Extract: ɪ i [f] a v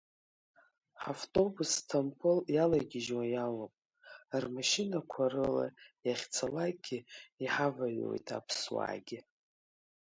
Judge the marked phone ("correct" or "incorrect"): incorrect